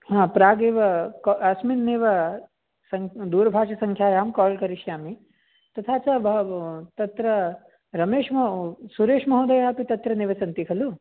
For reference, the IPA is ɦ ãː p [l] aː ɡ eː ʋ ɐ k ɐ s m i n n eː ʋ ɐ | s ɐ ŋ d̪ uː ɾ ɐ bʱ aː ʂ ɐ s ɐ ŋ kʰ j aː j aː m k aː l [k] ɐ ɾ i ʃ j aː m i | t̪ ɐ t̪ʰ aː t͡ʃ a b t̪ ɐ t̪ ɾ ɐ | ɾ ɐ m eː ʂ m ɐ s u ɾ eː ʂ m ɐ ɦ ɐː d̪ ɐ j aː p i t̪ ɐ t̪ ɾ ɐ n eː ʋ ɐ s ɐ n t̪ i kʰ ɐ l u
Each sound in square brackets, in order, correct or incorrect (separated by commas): incorrect, correct